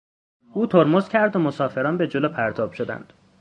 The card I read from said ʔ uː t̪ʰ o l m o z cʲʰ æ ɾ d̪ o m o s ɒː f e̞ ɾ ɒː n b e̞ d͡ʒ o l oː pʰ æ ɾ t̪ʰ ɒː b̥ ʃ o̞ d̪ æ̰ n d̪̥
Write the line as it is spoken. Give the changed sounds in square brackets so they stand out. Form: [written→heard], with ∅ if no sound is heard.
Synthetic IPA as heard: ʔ uː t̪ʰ o [l→ɾ] m o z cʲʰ æ ɾ d̪ o m o s ɒː f e̞ ɾ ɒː n b e̞ d͡ʒ o l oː pʰ æ ɾ t̪ʰ ɒː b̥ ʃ o̞ d̪ æ̰ n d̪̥